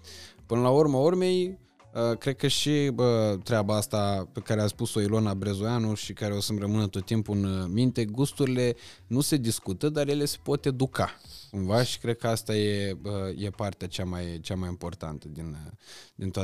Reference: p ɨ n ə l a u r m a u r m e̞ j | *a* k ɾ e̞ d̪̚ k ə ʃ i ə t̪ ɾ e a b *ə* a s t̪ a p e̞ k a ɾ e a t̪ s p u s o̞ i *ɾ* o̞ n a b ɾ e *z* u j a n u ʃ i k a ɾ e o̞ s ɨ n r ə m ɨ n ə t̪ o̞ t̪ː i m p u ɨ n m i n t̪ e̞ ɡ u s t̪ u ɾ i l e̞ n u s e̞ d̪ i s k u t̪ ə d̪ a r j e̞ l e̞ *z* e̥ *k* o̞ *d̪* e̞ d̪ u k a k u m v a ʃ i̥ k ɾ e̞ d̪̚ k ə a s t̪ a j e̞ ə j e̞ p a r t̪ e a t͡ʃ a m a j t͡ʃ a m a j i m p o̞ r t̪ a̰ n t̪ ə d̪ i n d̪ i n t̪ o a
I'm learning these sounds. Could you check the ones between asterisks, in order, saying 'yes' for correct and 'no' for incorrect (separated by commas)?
no, no, no, yes, no, no, no